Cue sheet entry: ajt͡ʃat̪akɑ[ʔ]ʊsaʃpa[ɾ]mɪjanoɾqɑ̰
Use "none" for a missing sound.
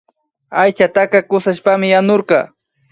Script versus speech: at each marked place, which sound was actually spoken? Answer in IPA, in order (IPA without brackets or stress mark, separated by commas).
k, none